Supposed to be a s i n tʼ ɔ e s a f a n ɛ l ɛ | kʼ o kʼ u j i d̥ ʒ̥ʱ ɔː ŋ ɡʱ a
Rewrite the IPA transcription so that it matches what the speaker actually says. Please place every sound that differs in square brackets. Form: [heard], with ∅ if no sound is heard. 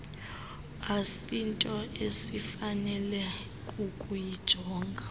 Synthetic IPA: a s i n tʼ ɔ e s [i] f a n ɛ l ɛ | kʼ [u] kʼ u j i d̥ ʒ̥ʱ ɔː ŋ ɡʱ a